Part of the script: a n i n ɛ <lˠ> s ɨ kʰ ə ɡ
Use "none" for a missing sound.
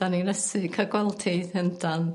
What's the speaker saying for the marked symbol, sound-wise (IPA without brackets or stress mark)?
none